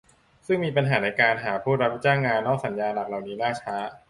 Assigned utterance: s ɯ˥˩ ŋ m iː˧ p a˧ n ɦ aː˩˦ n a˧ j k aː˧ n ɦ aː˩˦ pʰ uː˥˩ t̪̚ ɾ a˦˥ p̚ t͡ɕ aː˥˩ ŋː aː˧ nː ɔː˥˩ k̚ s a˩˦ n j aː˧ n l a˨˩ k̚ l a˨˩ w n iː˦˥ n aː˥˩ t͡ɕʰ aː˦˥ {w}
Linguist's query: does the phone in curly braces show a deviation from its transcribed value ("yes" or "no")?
yes